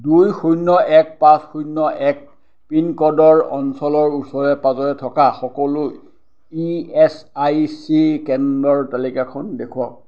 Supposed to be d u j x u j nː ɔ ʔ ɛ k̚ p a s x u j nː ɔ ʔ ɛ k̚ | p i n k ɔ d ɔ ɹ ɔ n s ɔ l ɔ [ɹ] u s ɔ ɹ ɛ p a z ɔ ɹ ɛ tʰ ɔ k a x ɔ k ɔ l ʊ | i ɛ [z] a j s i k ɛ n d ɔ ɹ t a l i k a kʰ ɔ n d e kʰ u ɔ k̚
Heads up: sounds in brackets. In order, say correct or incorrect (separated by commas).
correct, incorrect